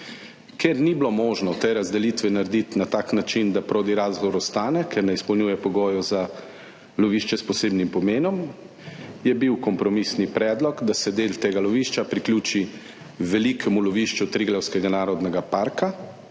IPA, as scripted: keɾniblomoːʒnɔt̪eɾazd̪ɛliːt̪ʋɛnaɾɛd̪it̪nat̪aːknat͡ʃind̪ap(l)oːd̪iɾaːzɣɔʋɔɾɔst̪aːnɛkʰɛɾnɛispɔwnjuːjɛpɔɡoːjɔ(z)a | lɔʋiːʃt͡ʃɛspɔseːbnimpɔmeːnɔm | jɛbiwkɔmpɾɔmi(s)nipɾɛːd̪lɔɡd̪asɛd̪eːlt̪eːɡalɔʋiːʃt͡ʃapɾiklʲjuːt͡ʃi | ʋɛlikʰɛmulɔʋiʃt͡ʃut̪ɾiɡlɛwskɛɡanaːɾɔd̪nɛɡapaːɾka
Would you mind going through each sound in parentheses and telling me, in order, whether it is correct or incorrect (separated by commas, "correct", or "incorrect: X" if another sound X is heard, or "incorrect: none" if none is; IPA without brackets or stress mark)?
incorrect: ɾ, correct, correct